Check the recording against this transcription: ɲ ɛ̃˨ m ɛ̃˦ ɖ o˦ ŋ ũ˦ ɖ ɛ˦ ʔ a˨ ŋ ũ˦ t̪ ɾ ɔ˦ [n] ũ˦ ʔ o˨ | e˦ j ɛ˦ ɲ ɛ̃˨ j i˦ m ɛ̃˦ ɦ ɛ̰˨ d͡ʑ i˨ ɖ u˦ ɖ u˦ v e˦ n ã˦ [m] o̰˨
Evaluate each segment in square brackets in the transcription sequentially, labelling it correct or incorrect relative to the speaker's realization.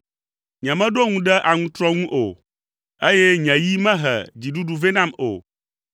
incorrect: ŋ, correct

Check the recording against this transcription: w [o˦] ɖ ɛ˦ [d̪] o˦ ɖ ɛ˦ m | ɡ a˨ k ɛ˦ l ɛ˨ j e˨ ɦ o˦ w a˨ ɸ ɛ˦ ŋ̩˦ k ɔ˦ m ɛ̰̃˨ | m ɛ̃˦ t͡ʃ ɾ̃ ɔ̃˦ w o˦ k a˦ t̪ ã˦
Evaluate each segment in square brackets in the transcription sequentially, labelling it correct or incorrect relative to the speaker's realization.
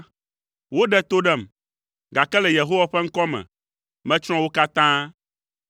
correct, incorrect: t̪

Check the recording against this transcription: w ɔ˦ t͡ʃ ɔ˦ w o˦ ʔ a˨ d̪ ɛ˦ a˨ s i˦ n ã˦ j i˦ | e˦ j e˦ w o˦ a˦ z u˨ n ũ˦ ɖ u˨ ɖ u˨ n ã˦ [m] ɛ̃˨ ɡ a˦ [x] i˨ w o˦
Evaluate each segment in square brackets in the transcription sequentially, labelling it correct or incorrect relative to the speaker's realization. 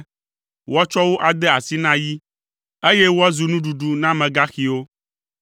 correct, correct

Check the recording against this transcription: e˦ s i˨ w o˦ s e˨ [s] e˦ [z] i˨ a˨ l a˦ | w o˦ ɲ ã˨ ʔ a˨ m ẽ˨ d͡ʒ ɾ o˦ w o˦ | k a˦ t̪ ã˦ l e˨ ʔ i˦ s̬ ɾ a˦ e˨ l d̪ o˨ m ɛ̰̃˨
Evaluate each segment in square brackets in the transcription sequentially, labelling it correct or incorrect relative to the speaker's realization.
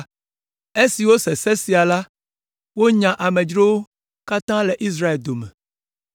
correct, incorrect: s

